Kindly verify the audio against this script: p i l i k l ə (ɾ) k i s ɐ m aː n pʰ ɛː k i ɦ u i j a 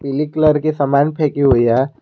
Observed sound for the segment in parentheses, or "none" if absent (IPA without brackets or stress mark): ɾ